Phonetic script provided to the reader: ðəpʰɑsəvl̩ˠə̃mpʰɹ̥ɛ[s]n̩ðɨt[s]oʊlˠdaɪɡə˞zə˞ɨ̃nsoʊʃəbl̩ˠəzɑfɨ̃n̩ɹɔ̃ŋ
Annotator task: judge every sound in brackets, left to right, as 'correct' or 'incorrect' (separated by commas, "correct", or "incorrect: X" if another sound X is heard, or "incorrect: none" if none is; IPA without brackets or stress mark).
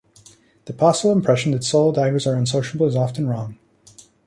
incorrect: ʃ, correct